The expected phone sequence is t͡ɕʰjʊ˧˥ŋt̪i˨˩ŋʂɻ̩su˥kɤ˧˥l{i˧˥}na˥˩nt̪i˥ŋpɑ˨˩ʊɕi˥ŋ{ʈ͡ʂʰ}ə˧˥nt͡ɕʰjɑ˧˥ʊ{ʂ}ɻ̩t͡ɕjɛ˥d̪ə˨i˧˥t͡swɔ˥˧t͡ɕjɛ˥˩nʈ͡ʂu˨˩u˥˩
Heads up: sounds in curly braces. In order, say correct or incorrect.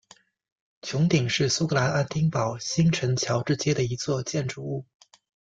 incorrect: a˧˥, correct, incorrect: ʈ͡ʂ

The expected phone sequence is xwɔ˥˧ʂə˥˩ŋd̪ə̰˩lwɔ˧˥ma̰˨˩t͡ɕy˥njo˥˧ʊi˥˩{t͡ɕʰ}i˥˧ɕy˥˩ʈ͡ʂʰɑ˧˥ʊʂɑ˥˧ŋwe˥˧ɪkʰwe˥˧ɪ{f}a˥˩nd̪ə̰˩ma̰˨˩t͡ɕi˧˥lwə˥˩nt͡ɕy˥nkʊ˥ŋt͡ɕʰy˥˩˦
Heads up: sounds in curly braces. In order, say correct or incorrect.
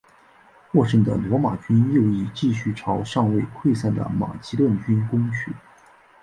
incorrect: t͡ɕ, incorrect: s

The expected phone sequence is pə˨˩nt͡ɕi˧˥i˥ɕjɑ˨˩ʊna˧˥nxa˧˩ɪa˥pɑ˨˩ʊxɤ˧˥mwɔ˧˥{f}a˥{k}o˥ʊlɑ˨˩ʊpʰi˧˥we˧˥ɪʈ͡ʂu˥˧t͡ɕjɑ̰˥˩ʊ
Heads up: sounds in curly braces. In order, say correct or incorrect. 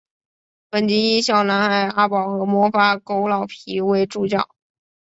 correct, correct

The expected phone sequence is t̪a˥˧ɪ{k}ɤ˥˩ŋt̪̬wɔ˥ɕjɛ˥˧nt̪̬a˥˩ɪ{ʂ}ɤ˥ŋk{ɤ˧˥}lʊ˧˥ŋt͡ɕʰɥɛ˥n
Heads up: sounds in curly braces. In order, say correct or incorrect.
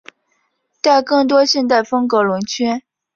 correct, incorrect: f, correct

